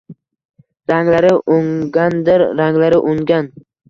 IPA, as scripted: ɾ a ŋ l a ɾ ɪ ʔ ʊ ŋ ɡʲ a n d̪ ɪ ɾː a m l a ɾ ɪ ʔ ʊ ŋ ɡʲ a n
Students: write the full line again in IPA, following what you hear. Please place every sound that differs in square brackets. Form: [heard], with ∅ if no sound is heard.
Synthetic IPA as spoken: ɾ a ŋ l a ɾ ɪ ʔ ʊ ŋ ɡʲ a n d̪ ɪ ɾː a [ŋ] l a ɾ ɪ ʔ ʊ ŋ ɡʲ a n